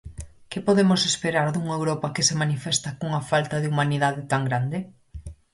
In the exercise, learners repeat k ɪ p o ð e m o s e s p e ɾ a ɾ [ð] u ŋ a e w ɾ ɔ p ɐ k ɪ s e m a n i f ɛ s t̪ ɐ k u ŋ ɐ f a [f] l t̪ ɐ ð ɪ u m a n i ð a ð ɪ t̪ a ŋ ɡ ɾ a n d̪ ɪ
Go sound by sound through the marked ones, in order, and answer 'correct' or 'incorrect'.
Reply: correct, incorrect: none

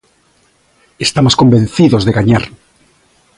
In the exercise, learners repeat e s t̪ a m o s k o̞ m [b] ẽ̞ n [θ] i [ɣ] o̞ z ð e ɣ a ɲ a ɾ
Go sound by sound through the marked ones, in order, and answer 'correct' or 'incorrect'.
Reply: correct, correct, incorrect: ð

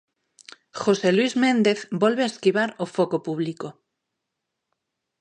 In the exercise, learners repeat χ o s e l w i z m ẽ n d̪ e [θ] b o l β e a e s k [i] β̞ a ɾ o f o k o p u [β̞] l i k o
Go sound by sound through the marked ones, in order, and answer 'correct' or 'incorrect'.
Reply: correct, correct, correct

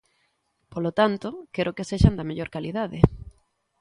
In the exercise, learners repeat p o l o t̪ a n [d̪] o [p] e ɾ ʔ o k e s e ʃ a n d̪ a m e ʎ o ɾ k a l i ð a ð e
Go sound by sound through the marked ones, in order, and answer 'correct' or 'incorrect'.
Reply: incorrect: t̪, incorrect: k

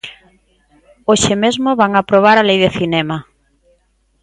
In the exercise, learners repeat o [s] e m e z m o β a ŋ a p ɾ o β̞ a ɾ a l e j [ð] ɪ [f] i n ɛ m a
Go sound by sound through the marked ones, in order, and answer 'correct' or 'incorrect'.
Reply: incorrect: ʃ, correct, incorrect: θ

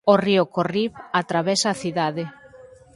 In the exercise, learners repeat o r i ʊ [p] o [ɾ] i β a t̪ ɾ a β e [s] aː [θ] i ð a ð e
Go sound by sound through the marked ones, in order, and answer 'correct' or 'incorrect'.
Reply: incorrect: k, incorrect: r, correct, correct

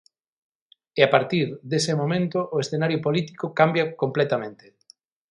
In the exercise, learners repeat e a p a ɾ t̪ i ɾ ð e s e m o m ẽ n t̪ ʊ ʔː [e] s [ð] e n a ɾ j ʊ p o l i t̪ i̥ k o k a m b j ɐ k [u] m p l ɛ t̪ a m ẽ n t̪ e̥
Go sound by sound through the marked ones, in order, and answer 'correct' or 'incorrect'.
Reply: correct, incorrect: θ, incorrect: o

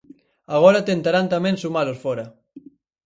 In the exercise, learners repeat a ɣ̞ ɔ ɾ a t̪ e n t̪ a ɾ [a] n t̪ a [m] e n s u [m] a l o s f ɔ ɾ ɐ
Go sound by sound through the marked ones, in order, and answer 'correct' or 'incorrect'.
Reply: correct, correct, correct

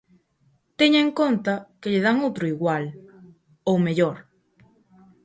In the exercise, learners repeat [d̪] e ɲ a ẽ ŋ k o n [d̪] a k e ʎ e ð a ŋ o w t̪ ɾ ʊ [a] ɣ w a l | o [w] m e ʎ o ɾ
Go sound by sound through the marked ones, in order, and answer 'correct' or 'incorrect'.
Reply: incorrect: t̪, incorrect: t̪, incorrect: i, correct

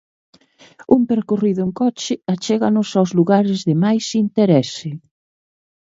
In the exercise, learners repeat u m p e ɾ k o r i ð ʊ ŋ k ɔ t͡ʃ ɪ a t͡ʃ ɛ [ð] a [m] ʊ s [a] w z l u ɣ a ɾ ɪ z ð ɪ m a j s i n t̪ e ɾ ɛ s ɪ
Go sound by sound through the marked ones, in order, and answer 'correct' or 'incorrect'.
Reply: incorrect: ɣ, incorrect: n, correct

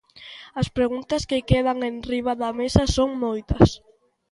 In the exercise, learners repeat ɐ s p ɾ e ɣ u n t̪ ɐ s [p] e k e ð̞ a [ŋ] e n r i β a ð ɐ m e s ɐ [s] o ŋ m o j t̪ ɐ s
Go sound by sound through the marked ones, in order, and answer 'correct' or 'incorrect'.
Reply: incorrect: k, correct, correct

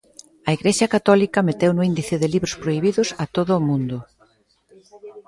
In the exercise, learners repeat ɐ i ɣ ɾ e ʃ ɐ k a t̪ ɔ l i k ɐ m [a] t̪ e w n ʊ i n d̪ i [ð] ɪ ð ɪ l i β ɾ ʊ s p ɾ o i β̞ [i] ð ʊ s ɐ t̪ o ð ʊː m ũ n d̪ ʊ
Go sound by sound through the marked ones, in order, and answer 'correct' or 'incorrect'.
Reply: incorrect: e, incorrect: θ, correct

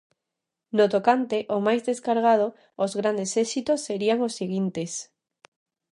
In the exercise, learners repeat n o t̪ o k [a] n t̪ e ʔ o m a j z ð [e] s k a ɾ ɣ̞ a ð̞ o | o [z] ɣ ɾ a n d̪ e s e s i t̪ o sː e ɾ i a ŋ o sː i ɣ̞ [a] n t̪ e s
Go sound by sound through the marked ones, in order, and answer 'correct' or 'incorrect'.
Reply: correct, correct, correct, incorrect: i

